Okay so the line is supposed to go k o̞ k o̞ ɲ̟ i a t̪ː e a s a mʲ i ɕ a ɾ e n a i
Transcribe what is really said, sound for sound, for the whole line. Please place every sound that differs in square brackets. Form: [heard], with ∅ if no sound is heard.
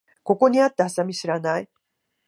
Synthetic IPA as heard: k o̞ k o̞ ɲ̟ i a t̪ː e a s a mʲ i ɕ [i] ɾ [a] n a i

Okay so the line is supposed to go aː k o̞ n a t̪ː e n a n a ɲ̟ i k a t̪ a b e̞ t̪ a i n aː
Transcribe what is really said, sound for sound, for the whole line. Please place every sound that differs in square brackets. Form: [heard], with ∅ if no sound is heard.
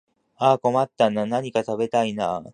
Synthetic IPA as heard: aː k o̞ [m] a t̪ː [a] n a n a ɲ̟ i k a t̪ a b e̞ t̪ a i n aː

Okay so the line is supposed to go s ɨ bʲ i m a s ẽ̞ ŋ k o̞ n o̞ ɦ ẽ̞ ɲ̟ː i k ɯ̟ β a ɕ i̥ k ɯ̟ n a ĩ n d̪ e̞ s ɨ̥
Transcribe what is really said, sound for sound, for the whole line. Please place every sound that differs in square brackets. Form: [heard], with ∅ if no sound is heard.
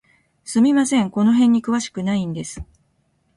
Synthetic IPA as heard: s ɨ [mʲ] i m a s ẽ̞ ŋ k o̞ n o̞ ɦ ẽ̞ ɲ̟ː i k ɯ̟ β a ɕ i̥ k ɯ̟ n a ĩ n d̪ e̞ s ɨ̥

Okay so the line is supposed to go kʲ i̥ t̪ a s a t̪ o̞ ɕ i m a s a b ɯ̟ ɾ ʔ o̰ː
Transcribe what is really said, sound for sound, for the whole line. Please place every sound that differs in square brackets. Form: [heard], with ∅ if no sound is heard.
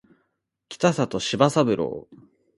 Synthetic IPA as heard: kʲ i̥ t̪ a s a t̪ o̞ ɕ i [b] a s a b ɯ̟ ɾ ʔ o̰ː

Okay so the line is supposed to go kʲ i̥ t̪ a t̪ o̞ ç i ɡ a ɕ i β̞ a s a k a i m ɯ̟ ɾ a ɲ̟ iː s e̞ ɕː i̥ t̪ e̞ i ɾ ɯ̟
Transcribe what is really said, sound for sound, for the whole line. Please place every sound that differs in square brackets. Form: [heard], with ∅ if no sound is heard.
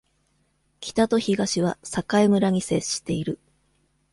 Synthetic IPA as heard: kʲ i̥ t̪ a t̪ o̞ ç i ɡ a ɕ i β̞ a s a k a i m ɯ̟ ɾ a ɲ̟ [i] s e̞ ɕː i̥ t̪ e̞ i ɾ ɯ̟

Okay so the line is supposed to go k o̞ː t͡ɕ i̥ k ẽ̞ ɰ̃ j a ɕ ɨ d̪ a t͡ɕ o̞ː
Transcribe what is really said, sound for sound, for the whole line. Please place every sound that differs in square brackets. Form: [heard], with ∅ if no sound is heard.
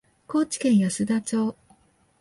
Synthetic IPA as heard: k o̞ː t͡ɕ i̥ k ẽ̞ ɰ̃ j a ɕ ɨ d̪ a t͡ɕ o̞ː

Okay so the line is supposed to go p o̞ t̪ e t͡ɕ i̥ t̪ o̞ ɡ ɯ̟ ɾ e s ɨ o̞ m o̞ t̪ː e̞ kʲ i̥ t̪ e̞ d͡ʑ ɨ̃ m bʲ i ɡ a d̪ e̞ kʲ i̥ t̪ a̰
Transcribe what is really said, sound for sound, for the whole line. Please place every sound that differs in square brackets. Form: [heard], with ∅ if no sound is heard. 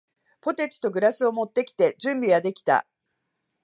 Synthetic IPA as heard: p o̞ t̪ e t͡ɕ i̥ t̪ o̞ ɡ ɯ̟ ɾ [a] s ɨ o̞ m o̞ t̪ː e̞ kʲ i̥ t̪ e̞ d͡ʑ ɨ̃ m bʲ i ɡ a d̪ e̞ kʲ i̥ t̪ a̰

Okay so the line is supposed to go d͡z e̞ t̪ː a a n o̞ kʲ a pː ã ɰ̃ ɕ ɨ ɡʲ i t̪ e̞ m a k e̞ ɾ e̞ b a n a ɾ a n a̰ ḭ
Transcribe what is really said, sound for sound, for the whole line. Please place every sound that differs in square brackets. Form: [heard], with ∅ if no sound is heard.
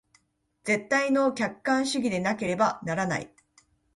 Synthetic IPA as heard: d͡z e̞ t̪ː a [i] n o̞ kʲ a [kː] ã ɰ̃ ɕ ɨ ɡʲ i [d̪] e̞ [n] a k e̞ ɾ e̞ b a n a ɾ a n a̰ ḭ

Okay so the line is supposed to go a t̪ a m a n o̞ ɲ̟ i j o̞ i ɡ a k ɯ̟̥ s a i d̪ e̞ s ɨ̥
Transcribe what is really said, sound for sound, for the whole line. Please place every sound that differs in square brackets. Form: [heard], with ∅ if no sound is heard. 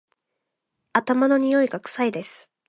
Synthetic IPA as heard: a t̪ a m a n o̞ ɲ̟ i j o̞ i ɡ a k ɯ̟̥ s a i d̪ e̞ s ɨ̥

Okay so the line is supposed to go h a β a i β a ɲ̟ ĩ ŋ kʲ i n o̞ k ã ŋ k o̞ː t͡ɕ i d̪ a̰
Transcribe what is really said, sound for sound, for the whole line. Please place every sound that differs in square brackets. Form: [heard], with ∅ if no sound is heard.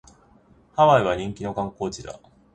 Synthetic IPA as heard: h a β a i β a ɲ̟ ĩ ŋ kʲ i n o̞ k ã ŋ k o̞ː t͡ɕ i d̪ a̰

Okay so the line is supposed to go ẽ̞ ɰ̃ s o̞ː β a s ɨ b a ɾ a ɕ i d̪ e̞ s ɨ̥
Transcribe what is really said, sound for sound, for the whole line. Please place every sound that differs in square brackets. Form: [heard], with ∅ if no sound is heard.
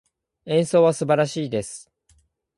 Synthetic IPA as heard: ẽ̞ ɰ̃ s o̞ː β a s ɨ b a ɾ a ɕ [iː] d̪ e̞ s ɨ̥

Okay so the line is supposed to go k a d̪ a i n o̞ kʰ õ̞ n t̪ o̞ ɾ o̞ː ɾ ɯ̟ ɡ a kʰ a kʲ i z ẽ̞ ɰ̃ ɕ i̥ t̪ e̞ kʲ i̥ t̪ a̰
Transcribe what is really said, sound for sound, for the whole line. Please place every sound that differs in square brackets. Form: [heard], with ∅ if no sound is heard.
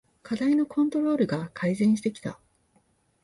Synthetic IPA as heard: k a d̪ a i n o̞ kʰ õ̞ n t̪ o̞ ɾ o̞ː ɾ ɯ̟ ɡ a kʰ a [∅] i z ẽ̞ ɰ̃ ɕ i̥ t̪ e̞ kʲ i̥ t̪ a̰

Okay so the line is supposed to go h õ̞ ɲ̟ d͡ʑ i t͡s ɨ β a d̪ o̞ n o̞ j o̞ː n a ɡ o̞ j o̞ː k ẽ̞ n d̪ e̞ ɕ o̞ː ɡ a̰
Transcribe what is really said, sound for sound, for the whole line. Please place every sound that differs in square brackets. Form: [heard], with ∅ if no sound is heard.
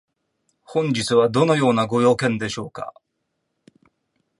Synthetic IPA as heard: h õ̞ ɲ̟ d͡ʑ i t͡s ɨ β a d̪ o̞ n o̞ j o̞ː n a ɡ o̞ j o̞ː k ẽ̞ n d̪ e̞ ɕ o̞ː [k] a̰

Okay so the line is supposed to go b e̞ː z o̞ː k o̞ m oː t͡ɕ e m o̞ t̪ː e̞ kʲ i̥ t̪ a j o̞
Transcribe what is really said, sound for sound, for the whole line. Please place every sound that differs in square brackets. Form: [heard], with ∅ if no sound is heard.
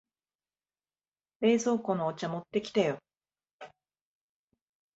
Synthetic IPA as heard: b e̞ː z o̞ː k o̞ [n] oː t͡ɕ [a] m o̞ t̪ː e̞ kʲ i̥ t̪ a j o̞

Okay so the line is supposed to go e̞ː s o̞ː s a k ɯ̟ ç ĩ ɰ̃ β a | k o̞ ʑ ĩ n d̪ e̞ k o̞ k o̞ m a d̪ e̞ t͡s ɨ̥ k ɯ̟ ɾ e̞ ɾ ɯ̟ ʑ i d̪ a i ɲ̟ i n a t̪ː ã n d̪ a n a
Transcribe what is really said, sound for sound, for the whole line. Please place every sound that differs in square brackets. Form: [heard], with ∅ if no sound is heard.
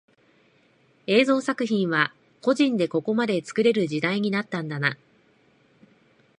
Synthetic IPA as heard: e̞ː [z] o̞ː s a k ɯ̟ ç ĩ ɰ̃ β a | k o̞ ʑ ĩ n d̪ e̞ k o̞ k o̞ m a d̪ e̞ t͡s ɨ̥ k ɯ̟ ɾ e̞ ɾ ɯ̟ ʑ i d̪ a i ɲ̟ i n a t̪ː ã n d̪ a n a

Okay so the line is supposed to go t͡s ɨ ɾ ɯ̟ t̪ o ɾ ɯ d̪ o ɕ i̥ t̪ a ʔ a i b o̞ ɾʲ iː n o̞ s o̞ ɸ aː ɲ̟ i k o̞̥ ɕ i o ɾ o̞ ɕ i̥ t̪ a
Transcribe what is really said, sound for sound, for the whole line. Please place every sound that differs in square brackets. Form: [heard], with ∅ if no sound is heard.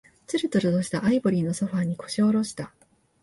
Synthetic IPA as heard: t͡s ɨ ɾ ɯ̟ t̪ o ɾ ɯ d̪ o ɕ i̥ t̪ a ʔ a i b o̞ ɾʲ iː n o̞ s o̞ ɸ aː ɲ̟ i k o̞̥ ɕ i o ɾ o̞ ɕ i̥ t̪ a

